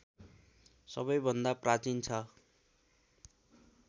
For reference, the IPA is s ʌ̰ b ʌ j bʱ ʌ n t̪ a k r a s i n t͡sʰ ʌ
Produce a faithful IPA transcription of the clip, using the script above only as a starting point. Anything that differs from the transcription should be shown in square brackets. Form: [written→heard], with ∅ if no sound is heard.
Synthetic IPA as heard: s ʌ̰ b ʌ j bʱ ʌ n [t̪→d̪] a [k→p] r a [s→t͡s] i n t͡sʰ ʌ